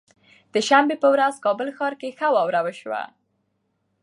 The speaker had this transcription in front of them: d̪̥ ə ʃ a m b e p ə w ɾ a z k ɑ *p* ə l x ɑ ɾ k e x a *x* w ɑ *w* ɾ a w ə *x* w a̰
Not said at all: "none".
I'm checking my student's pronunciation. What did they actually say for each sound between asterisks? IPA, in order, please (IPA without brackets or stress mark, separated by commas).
b, none, w, ʃ